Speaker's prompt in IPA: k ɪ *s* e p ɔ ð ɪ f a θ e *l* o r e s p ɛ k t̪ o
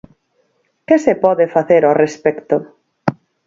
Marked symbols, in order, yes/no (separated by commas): yes, no